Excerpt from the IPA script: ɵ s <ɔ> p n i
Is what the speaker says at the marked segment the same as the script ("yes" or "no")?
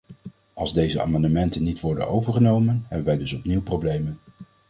yes